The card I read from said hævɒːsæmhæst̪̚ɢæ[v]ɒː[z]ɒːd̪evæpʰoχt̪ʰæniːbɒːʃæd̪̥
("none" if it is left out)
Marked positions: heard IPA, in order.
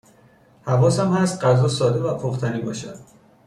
z, s

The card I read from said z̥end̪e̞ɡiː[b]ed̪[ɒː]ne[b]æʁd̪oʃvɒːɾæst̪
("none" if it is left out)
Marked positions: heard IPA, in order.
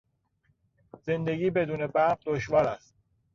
b, uː, b

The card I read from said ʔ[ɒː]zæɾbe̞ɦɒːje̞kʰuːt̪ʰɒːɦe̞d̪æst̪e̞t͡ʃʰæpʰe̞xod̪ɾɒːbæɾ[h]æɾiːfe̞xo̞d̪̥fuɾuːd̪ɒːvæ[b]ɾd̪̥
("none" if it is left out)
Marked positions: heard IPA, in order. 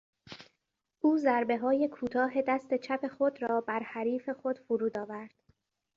uː, h, none

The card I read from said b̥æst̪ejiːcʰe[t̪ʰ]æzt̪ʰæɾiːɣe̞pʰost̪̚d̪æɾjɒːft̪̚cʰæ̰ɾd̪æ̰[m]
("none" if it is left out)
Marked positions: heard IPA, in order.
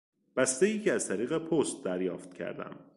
none, m

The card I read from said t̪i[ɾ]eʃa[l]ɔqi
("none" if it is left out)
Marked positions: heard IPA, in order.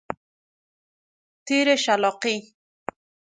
ɾ, l

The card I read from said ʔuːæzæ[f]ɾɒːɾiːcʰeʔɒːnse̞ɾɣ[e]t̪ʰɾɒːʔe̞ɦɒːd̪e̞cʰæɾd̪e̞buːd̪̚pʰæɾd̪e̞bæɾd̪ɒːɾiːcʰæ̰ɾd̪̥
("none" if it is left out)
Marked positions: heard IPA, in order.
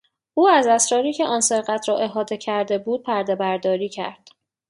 s, æ

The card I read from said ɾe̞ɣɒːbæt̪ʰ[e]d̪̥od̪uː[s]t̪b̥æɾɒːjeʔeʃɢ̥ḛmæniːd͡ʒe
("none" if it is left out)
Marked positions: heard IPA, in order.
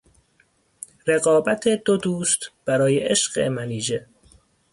e, s

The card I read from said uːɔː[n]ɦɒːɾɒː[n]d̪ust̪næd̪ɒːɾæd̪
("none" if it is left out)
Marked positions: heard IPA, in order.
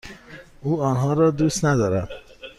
n, none

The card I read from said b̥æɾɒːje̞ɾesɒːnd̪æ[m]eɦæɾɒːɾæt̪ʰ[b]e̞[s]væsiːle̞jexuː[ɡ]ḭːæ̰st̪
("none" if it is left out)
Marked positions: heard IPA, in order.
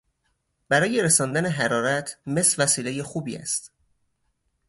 n, m, s, b

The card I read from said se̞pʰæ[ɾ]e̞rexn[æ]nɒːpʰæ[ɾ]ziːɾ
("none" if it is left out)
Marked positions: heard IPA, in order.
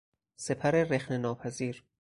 ɾ, e, none

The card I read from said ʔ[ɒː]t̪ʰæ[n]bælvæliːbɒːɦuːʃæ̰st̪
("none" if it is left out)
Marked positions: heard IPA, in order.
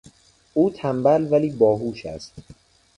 uː, m

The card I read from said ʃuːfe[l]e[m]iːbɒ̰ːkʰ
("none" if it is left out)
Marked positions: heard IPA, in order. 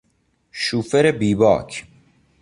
ɾ, b

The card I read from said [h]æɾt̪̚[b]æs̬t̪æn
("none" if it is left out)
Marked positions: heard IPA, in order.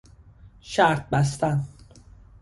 ʃ, b

